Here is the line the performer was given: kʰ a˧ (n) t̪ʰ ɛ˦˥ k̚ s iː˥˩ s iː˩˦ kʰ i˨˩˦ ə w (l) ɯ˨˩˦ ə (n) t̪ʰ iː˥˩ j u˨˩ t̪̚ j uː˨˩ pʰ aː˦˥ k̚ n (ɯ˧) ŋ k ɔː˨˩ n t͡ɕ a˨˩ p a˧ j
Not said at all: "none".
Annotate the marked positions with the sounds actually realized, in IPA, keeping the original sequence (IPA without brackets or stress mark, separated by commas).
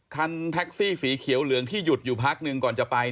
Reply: n, l, ŋ, ɯ˧